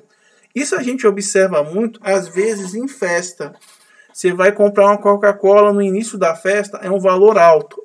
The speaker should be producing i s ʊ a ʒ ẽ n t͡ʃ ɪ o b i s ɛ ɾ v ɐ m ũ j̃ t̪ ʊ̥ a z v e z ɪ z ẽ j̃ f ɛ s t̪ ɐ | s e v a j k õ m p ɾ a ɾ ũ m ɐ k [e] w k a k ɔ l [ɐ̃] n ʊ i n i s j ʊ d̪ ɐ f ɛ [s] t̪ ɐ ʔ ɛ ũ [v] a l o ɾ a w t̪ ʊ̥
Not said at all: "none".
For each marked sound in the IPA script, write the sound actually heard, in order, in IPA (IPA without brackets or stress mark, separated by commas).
a, ɐ, s, v